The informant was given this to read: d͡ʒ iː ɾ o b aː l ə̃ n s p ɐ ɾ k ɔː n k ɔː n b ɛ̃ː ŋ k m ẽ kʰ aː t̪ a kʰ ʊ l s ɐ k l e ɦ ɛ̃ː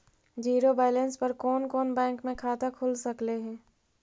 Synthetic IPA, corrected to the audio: d͡ʒ iː ɾ o b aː l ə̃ n s p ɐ ɾ k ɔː n k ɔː n b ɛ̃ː ŋ k m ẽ kʰ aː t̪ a kʰ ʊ l s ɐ k l e ɦ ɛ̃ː